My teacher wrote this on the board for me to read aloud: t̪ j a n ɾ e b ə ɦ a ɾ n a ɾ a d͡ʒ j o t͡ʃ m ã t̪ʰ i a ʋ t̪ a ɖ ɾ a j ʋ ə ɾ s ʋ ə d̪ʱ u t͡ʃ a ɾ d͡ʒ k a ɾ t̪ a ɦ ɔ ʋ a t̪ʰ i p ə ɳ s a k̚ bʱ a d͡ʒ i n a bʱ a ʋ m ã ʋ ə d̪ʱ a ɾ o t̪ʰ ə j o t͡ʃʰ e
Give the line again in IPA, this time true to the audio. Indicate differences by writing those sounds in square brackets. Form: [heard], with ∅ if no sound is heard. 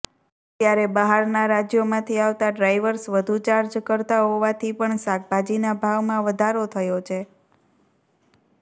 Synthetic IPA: t̪ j a [∅] ɾ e b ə ɦ a ɾ n a ɾ a d͡ʒ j o [∅] m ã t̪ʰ i a ʋ t̪ a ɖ ɾ a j ʋ ə ɾ s ʋ ə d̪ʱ u t͡ʃ a ɾ d͡ʒ k [ə] ɾ t̪ a ɦ [o] ʋ a t̪ʰ i p ə ɳ s a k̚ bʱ a d͡ʒ i n a bʱ a ʋ m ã ʋ ə d̪ʱ a ɾ o t̪ʰ ə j o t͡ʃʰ e

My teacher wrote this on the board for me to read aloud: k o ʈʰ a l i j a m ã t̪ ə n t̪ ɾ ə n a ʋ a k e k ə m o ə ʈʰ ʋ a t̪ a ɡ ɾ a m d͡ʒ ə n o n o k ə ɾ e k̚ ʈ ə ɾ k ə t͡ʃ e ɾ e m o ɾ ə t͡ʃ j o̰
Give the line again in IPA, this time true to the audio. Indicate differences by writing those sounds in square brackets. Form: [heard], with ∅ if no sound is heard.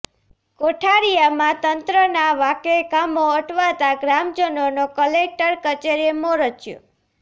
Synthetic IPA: k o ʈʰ a [ɾ] i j a m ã t̪ ə n t̪ ɾ ə n a ʋ a k e k [a] m o ə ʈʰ ʋ a t̪ a ɡ ɾ a m d͡ʒ ə n o n o k ə [l] e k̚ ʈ ə ɾ k ə t͡ʃ e ɾ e m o ɾ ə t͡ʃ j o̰

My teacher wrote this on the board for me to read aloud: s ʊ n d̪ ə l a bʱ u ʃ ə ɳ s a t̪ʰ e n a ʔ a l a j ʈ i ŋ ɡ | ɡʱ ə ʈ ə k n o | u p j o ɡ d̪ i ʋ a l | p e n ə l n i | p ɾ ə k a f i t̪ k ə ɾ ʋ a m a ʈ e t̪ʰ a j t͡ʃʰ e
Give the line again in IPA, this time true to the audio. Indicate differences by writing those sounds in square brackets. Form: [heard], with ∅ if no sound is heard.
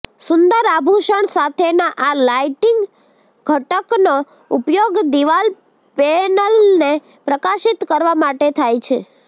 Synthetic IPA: s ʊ n d̪ ə [ɾ] a bʱ u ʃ ə ɳ s a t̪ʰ e n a ʔ a l a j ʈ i ŋ ɡ | ɡʱ ə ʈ ə k n o | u p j o ɡ d̪ i ʋ a l | p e n ə l n [e] | p ɾ ə k a [ʃ] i t̪ k ə ɾ ʋ a m a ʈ e t̪ʰ a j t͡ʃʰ e

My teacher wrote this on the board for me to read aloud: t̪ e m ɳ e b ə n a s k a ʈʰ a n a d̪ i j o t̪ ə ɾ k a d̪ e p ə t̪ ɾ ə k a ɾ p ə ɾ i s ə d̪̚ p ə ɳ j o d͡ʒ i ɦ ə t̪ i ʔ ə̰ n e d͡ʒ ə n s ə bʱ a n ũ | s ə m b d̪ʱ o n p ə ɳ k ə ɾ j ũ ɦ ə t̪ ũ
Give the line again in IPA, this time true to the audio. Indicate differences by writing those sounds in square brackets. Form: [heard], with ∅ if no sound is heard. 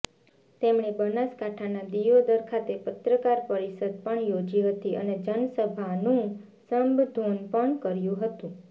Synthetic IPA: t̪ e m ɳ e b ə n a s k a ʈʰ a n a d̪ i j o [d̪] ə ɾ [kʰ] a [t̪] e p ə t̪ ɾ ə k a ɾ p ə ɾ i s ə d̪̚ p ə ɳ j o d͡ʒ i ɦ ə t̪ i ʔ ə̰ n e d͡ʒ ə n s ə bʱ a n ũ | s ə m b d̪ʱ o n p ə ɳ k ə ɾ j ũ ɦ ə t̪ ũ

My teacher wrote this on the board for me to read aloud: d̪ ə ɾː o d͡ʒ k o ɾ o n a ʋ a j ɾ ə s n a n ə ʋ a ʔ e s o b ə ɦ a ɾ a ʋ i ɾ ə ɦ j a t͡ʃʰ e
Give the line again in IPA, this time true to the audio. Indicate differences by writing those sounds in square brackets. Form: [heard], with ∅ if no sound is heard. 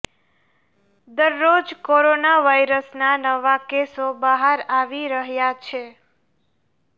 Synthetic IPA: d̪ ə ɾː o d͡ʒ k o ɾ o n a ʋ a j ɾ ə s n a n ə ʋ a [k] e s o b ə ɦ a ɾ a ʋ i ɾ ə ɦ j a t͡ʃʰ e

